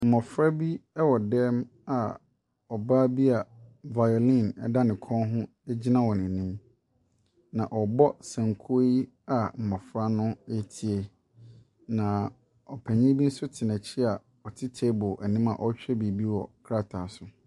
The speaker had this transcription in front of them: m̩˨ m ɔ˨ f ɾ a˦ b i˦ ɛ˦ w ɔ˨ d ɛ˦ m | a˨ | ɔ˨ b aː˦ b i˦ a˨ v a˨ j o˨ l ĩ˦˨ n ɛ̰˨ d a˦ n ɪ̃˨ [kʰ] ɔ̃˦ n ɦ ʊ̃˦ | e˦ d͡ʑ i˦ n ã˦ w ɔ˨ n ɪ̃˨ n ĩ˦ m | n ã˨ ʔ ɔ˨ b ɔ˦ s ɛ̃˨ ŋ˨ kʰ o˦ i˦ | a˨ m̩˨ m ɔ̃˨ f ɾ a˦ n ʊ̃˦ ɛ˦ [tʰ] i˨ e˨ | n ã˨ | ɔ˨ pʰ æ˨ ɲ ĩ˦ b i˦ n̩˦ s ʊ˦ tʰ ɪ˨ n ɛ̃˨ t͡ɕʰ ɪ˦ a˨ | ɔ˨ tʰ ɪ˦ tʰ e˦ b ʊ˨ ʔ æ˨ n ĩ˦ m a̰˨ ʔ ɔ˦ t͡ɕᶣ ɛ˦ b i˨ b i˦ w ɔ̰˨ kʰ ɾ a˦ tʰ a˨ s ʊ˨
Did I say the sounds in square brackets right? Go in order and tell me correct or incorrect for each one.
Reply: correct, correct

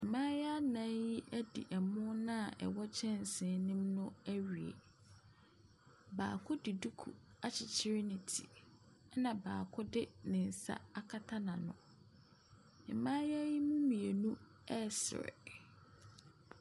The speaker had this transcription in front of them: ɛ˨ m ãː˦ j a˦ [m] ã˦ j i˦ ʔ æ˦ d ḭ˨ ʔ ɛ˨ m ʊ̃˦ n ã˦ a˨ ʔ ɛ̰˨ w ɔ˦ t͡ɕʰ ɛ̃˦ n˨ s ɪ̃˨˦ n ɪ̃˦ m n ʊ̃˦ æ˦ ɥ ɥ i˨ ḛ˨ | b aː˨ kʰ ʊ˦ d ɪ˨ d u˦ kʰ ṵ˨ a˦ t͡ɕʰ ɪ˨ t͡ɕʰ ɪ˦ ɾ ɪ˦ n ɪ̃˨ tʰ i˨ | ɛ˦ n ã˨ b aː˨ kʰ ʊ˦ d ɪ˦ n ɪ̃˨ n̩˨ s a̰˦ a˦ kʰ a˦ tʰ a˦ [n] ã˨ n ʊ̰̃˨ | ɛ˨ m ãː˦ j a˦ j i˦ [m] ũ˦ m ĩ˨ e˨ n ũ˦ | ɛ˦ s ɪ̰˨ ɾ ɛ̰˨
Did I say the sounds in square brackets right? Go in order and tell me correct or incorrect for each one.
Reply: incorrect: n, correct, correct

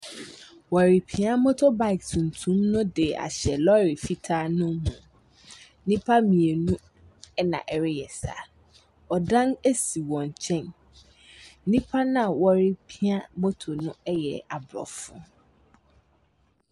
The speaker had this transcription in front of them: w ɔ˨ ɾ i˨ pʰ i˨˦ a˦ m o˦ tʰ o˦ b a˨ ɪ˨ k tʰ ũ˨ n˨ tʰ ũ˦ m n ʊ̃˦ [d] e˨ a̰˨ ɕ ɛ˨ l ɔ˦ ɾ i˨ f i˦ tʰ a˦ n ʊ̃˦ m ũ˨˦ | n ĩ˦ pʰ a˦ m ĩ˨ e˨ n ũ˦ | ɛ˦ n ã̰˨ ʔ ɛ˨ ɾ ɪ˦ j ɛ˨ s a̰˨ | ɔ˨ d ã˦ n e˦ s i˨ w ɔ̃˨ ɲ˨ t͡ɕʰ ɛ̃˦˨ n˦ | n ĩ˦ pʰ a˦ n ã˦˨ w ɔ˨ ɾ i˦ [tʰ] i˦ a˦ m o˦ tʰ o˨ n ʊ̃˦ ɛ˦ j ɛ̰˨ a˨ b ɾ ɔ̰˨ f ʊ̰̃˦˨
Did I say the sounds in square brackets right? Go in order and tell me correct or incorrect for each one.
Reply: correct, incorrect: pʰ

